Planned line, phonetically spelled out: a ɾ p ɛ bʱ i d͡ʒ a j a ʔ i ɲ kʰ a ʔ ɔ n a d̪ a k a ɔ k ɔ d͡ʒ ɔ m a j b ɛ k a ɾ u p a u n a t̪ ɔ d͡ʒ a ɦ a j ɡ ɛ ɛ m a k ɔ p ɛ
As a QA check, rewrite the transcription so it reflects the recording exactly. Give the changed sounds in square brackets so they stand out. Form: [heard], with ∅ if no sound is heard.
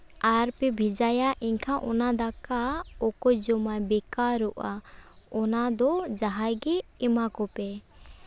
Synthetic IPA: a ɾ p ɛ bʱ i d͡ʒ a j a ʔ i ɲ kʰ a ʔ ɔ n a d̪ a k a ɔ k ɔ d͡ʒ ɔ m a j b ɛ k a ɾ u [ʔ] a [ɔ] n a [d̪] ɔ d͡ʒ a ɦ a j ɡ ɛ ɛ m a k ɔ p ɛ